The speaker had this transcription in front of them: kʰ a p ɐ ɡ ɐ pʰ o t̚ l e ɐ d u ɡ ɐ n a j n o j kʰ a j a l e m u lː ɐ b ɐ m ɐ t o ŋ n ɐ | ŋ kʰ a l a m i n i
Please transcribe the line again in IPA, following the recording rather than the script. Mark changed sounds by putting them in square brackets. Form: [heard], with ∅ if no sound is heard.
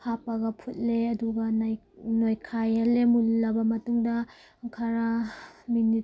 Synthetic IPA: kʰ a p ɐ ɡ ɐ pʰ [u] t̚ l e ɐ d u ɡ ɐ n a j n o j kʰ a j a l e m u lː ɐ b ɐ m ɐ t [u] ŋ [d] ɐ | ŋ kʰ a [ɾ] a m i n i